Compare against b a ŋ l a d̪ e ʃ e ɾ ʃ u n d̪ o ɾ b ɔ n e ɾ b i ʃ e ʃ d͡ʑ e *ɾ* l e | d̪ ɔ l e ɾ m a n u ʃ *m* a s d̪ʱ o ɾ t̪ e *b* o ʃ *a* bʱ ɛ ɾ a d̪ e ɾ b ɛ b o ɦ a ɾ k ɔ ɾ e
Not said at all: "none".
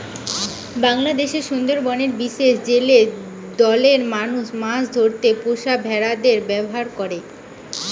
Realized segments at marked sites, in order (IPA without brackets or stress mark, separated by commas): none, m, p, a